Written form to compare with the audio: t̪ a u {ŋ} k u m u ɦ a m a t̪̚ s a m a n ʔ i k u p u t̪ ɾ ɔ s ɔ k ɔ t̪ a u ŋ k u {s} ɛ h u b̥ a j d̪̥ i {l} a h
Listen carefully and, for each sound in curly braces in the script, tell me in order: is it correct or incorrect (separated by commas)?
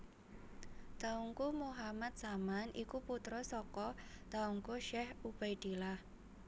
correct, incorrect, correct